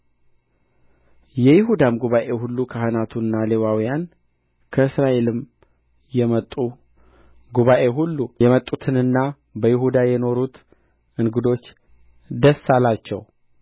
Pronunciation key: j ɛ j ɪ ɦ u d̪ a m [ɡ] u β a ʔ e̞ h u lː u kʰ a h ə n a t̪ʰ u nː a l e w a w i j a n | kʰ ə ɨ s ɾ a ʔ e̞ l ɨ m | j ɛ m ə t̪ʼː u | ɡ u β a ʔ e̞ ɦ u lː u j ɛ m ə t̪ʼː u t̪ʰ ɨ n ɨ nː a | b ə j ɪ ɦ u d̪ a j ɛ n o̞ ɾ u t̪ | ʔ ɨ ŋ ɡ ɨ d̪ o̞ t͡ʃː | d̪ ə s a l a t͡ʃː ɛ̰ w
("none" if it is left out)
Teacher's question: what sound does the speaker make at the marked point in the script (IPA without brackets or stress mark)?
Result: ɡ